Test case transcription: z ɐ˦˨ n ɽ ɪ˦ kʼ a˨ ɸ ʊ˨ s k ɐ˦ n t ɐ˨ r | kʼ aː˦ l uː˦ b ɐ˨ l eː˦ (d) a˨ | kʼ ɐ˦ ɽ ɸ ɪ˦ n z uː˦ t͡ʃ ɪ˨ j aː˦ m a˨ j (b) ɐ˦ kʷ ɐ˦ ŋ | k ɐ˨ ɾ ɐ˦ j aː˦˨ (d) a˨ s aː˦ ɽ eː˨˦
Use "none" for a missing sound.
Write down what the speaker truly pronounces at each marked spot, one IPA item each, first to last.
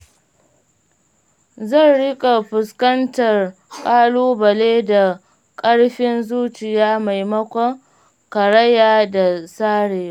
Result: d, m, d

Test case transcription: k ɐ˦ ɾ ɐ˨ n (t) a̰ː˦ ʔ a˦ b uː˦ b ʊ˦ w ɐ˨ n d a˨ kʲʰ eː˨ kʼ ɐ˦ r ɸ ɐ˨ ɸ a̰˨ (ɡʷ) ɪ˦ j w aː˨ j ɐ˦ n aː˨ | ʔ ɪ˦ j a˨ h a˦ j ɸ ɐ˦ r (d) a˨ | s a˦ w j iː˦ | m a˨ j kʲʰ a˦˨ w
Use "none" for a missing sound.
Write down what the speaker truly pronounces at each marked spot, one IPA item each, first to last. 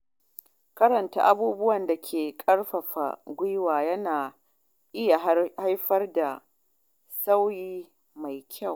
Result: t, ɡʷ, d

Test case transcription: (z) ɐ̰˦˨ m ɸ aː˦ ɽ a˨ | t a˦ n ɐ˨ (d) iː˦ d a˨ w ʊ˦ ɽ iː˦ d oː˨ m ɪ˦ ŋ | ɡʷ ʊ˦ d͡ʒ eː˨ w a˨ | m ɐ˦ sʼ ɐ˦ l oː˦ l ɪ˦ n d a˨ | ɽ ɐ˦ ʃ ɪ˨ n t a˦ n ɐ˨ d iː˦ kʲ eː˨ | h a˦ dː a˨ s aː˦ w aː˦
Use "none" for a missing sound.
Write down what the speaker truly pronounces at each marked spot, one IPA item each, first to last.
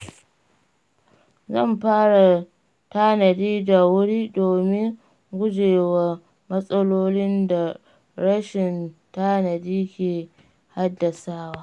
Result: z, d

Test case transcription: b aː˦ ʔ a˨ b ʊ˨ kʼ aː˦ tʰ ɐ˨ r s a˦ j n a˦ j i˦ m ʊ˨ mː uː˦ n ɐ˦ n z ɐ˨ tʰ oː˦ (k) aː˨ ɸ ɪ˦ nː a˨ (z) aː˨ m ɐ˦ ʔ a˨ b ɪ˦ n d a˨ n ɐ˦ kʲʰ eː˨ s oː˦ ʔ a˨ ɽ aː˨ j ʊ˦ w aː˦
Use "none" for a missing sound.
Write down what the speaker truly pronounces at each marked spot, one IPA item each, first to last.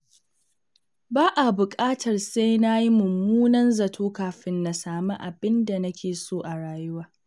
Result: k, s

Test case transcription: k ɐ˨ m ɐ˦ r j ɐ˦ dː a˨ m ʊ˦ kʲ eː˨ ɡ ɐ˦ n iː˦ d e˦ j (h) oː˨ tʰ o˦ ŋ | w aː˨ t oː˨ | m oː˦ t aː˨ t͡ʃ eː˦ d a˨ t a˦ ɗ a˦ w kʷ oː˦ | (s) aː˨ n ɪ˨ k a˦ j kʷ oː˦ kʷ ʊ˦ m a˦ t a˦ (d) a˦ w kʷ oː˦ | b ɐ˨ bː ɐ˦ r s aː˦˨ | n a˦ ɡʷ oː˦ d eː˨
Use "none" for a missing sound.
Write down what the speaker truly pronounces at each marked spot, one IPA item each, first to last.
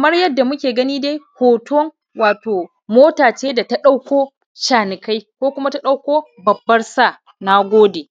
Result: h, ʃ, ɗ

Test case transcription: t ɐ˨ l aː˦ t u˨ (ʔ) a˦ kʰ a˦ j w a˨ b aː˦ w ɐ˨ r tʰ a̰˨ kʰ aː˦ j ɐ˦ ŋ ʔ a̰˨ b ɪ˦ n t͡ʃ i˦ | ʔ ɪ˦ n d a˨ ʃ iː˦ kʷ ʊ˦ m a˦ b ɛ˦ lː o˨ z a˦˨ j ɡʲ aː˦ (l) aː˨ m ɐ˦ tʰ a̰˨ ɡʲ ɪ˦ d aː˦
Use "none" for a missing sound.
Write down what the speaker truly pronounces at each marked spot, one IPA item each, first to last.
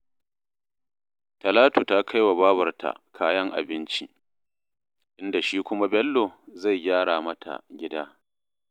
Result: t, ɽ

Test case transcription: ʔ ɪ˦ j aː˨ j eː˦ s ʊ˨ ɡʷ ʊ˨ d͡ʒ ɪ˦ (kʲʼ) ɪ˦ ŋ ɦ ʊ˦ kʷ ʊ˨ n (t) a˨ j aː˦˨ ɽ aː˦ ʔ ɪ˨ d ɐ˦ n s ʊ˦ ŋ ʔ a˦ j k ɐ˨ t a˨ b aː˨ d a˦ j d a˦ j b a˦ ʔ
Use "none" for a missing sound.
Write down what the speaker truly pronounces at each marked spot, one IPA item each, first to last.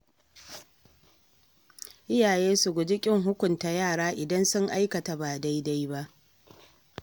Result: kʲʼ, t

